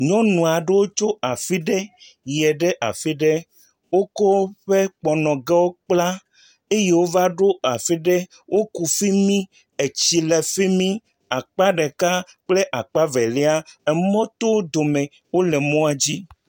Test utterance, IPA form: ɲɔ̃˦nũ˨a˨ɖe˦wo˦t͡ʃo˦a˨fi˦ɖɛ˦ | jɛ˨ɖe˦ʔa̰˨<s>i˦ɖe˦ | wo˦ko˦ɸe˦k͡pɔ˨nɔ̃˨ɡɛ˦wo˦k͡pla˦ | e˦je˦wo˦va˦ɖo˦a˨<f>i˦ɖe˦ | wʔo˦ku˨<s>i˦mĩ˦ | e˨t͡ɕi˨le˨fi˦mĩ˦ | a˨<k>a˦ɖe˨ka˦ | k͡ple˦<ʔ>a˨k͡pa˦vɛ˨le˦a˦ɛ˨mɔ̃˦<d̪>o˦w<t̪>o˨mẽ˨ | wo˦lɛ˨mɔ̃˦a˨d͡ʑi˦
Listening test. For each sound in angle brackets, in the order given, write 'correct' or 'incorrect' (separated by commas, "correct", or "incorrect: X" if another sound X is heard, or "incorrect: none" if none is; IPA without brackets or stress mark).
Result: incorrect: f, correct, incorrect: f, incorrect: k͡p, correct, incorrect: t̪, incorrect: d̪